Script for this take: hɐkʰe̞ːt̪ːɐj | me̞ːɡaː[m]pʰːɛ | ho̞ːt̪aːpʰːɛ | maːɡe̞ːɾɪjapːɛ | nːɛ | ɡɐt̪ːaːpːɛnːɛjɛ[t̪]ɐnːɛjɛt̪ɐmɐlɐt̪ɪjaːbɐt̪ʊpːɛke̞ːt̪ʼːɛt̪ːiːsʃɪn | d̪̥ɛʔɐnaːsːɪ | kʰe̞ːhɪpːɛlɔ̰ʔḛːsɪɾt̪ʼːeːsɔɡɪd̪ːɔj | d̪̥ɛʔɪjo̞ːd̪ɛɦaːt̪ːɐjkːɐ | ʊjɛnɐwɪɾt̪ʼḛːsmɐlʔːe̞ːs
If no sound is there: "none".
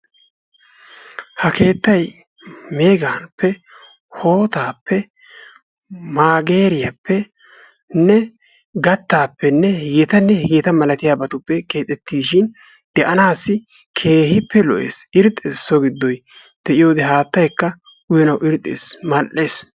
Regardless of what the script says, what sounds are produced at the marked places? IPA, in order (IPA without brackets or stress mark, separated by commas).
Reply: n, t̪